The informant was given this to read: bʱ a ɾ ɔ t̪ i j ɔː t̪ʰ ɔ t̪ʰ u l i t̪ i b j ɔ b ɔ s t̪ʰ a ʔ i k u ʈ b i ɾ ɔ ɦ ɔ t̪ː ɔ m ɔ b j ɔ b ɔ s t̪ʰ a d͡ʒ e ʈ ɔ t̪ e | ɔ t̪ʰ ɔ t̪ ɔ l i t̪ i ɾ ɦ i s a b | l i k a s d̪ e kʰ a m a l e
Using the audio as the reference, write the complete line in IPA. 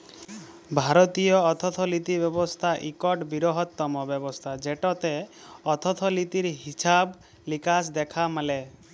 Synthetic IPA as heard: bʱ a ɾ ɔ t̪ i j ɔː t̪ʰ ɔ t̪ʰ ɔ l i t̪ i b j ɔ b ɔ s t̪ʰ a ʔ i k ɔ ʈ b i ɾ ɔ ɦ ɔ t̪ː ɔ m ɔ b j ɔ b ɔ s t̪ʰ a d͡ʒ e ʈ ɔ t̪ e | ɔ t̪ʰ ɔ t̪ʰ ɔ l i t̪ i ɾ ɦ i s a b | l i k a s d̪ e kʰ a m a l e